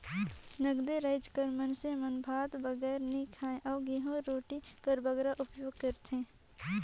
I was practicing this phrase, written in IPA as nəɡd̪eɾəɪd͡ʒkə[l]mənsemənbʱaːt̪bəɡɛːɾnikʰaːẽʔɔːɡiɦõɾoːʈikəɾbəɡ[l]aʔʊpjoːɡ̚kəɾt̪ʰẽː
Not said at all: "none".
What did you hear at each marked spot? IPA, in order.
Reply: ɾ, ɾ

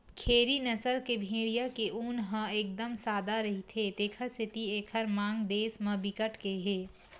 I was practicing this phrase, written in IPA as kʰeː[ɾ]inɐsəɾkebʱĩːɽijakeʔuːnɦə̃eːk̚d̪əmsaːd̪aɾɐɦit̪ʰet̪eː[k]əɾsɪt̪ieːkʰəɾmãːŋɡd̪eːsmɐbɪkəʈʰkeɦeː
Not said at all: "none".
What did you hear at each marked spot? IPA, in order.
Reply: ɾ, kʰ

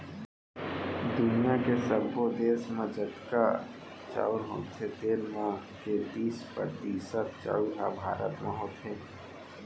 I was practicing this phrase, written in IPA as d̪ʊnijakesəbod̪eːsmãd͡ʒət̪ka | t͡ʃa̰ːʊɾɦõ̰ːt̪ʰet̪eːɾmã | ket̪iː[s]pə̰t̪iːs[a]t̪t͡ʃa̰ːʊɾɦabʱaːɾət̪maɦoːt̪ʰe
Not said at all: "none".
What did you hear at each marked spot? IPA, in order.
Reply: s, ə

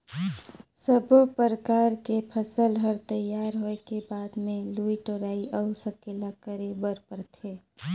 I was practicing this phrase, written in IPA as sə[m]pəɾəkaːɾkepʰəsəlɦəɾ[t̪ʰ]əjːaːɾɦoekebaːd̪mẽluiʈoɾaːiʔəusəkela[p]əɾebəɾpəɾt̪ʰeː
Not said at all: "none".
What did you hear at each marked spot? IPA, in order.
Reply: b, t̪, k

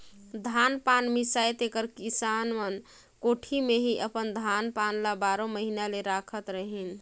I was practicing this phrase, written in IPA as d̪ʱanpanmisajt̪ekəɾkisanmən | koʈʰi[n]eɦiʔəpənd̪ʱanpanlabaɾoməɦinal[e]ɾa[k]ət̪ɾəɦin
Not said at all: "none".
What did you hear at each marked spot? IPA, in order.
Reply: m, e, kʰ

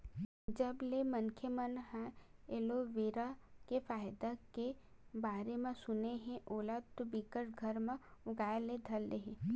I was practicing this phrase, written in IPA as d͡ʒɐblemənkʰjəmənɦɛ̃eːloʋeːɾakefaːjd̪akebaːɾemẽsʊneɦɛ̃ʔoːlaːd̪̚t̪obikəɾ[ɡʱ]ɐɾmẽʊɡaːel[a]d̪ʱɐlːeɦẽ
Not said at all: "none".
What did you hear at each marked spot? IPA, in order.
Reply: ɡʱ, e

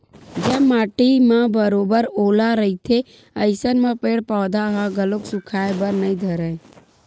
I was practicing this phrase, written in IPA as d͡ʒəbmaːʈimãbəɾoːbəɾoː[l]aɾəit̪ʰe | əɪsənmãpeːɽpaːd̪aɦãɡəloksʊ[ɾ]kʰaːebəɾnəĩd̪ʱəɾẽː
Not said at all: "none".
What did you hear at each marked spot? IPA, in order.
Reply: l, none

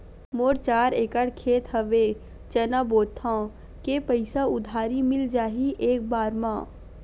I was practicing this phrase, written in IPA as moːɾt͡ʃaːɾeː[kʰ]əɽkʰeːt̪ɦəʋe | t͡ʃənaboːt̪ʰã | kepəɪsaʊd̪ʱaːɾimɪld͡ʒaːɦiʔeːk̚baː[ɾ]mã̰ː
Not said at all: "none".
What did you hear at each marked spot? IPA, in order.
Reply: k, ɾ

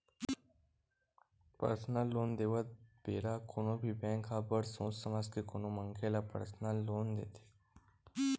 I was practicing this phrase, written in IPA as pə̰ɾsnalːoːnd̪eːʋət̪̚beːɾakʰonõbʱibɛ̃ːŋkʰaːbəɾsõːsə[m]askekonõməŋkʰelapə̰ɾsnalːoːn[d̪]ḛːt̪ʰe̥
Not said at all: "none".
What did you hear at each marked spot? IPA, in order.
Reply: m, d̪

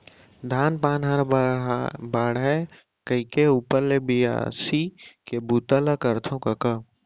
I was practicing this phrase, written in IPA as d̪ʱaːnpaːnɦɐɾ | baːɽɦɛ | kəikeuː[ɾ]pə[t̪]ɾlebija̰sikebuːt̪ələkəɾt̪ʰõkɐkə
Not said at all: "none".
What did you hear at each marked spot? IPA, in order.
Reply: none, none

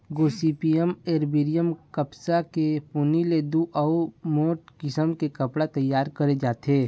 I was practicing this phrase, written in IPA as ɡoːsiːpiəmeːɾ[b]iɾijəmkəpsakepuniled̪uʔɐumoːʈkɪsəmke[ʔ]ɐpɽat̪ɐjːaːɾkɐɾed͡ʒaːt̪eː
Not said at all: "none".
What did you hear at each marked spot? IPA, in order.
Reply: b, k

